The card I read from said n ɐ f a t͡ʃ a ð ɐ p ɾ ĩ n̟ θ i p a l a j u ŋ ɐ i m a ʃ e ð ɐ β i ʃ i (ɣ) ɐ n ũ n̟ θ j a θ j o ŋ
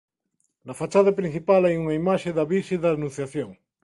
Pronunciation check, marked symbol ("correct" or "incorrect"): incorrect